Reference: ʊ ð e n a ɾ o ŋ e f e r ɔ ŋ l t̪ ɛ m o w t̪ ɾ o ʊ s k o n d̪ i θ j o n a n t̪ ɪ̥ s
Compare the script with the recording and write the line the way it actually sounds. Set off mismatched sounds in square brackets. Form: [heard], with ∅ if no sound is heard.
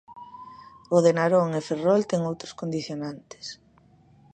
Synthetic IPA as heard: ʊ ð e n a ɾ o ŋ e f e r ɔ [∅] l t̪ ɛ [ŋ] o w t̪ ɾ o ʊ s k o n d̪ i θ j o n a n t̪ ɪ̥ s